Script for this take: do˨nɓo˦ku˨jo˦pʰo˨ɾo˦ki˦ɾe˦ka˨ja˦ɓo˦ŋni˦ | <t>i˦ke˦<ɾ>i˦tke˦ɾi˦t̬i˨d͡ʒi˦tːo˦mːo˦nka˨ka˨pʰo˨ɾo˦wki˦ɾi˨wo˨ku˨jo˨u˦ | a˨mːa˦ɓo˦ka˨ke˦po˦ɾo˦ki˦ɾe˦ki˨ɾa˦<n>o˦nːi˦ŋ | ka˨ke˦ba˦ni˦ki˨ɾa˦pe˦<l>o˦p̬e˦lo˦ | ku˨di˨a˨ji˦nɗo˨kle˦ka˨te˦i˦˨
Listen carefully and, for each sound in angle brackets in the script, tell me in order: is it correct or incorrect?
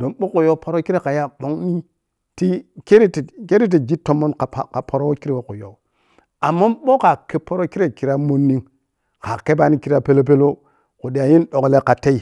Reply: correct, correct, incorrect: m, correct

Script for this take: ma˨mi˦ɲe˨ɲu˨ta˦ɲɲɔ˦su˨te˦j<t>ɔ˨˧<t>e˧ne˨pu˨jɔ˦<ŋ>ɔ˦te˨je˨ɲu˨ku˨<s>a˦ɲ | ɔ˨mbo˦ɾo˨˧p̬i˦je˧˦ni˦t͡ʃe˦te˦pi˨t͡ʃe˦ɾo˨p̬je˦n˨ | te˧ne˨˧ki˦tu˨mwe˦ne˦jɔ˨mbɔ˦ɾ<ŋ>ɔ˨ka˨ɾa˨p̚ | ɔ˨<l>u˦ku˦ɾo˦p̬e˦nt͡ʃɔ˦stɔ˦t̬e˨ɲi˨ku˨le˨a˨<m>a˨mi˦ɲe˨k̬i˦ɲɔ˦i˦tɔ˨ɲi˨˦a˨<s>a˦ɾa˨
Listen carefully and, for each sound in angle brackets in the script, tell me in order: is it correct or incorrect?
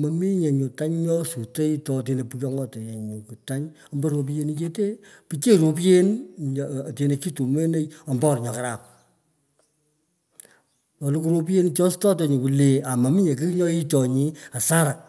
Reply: correct, correct, correct, incorrect: t, incorrect: ɲ, correct, correct, correct

